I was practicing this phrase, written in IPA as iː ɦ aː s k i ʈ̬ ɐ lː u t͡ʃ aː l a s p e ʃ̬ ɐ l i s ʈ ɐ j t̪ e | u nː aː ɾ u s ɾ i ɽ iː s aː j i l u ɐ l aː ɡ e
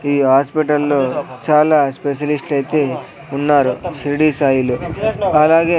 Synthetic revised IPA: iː ɦ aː s p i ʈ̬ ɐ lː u t͡ʃ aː l a s p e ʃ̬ ɐ l i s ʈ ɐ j t̪ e | u nː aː ɾ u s ɾ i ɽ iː s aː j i l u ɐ l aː ɡ e

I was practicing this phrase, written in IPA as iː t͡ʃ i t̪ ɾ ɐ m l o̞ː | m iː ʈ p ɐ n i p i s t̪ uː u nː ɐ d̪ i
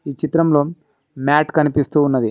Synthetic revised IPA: iː t͡ʃ i t̪ ɾ ɐ m l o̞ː | m aː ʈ k ɐ n i p i s t̪ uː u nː ɐ d̪ i

